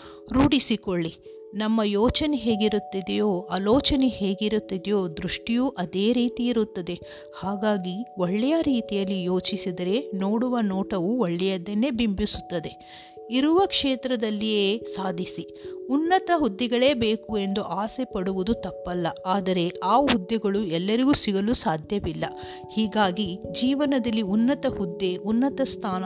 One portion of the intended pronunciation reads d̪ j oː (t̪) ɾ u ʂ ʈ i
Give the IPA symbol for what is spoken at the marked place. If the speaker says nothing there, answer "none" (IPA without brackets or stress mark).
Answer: d̪